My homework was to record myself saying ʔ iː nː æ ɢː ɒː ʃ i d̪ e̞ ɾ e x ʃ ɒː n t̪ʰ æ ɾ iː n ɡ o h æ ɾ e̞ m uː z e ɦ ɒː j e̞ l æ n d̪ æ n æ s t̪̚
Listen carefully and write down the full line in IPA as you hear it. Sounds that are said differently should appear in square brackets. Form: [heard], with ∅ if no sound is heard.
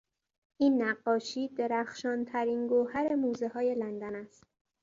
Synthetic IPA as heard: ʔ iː nː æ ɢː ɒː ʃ [iː] d̪ e̞ ɾ [æ] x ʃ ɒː n t̪ʰ æ ɾ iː n ɡ o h æ ɾ e̞ m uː z e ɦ ɒː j e̞ l æ n d̪ æ n æ s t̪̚